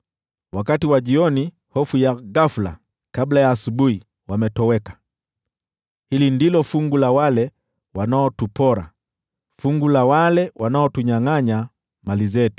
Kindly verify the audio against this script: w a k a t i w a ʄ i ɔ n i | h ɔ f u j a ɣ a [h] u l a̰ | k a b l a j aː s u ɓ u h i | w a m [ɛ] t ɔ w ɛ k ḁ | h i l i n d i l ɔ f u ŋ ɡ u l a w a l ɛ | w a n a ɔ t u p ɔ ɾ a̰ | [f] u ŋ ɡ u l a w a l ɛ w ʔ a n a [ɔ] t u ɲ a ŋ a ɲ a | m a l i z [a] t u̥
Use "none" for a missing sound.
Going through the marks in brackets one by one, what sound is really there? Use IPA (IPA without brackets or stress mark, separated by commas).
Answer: f, ɛ, f, ɔ, ɛ